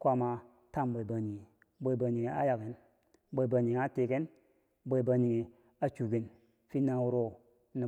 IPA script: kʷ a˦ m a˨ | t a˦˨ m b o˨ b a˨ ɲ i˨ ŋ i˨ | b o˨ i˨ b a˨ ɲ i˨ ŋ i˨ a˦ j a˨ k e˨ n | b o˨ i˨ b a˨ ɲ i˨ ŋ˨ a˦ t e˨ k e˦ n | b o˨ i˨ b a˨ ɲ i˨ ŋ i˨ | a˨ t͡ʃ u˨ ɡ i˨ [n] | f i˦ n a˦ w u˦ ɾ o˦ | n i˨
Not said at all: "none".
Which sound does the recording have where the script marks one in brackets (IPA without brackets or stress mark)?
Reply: n